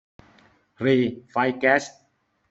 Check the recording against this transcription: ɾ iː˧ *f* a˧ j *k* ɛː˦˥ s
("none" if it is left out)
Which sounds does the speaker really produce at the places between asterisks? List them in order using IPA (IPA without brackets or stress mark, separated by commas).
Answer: f, k